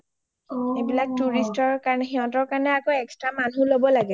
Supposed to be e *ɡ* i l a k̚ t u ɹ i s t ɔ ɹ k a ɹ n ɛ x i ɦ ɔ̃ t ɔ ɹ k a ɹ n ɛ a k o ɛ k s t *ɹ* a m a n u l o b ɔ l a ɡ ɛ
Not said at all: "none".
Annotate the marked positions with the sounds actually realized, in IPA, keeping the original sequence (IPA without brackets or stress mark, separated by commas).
b, ɹ